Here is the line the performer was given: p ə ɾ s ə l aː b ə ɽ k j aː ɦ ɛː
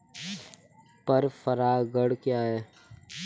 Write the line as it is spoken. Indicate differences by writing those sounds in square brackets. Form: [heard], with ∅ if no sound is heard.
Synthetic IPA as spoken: p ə ɾ [f] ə [ɾ] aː [ɡ] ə ɽ k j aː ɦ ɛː